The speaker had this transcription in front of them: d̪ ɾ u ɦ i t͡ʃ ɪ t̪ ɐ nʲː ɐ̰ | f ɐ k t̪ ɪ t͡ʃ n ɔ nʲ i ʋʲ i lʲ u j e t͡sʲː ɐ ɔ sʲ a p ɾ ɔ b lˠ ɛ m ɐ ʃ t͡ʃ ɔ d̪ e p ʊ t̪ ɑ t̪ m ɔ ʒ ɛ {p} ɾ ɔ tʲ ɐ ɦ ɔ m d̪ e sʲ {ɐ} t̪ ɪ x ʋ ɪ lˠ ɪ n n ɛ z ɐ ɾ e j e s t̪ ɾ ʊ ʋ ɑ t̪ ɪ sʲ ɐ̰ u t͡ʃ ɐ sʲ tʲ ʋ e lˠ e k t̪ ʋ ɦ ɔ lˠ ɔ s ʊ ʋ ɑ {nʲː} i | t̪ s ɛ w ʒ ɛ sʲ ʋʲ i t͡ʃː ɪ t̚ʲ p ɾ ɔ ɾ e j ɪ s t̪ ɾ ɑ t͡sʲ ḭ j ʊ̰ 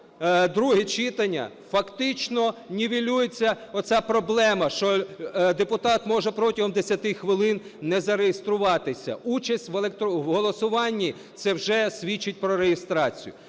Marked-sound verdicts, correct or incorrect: correct, correct, correct

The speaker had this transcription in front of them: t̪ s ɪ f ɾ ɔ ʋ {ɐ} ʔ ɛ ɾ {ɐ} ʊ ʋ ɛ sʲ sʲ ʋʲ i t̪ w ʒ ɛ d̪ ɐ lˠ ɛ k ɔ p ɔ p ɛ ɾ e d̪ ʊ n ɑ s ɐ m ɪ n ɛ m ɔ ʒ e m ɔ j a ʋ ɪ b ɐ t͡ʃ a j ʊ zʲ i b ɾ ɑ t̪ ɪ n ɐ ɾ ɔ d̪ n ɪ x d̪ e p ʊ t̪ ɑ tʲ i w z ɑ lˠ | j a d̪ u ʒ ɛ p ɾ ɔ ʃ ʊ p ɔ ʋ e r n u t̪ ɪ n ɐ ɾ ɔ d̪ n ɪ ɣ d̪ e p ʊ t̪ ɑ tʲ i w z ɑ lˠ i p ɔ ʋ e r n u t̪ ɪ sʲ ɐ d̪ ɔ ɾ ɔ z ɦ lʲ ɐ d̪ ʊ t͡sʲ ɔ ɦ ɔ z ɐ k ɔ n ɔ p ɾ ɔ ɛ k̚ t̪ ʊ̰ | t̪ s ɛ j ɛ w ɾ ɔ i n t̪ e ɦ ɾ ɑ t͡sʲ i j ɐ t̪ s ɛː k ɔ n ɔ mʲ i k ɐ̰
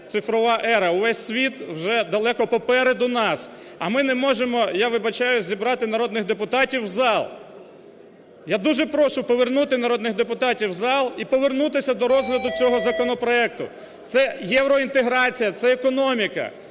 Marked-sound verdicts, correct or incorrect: incorrect, correct

